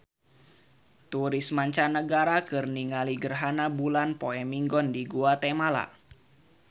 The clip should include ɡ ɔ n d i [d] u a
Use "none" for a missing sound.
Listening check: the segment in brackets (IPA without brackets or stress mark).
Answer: ɡ